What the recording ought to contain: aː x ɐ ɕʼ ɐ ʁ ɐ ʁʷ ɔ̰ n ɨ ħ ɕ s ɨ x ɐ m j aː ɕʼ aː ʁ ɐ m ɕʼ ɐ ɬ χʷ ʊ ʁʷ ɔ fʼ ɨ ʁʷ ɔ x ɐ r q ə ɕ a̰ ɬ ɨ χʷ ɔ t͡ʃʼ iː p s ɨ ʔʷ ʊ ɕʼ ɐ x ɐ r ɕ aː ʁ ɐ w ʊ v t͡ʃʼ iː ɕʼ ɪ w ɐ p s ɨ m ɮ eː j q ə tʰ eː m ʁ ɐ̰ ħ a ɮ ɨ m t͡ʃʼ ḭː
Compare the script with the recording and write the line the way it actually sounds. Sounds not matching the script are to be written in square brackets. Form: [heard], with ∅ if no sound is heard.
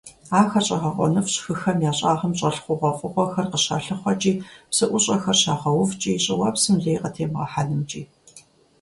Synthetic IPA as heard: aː x ɐ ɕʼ ɐ ʁ ɐ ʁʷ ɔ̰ n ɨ [f] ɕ [x] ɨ x ɐ m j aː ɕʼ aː ʁ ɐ m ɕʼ ɐ ɬ χʷ ʊ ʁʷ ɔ fʼ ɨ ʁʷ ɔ x ɐ r q ə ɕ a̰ ɬ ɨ χʷ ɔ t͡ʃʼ iː p s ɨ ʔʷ ʊ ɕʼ ɐ x ɐ r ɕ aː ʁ ɐ w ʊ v t͡ʃʼ iː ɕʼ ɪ w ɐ p s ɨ m ɮ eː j q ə tʰ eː m ʁ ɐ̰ ħ a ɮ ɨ m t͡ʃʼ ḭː